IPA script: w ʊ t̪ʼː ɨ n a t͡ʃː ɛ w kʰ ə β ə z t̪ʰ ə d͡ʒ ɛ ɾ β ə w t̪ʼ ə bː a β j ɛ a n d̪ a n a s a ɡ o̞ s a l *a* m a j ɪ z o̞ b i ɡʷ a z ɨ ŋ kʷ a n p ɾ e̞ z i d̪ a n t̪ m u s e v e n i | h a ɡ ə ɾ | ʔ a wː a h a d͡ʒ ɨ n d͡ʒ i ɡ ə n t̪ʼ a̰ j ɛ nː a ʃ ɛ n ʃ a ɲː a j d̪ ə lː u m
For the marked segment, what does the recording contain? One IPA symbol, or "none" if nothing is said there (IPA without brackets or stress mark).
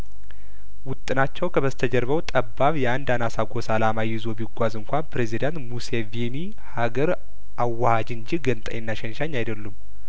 a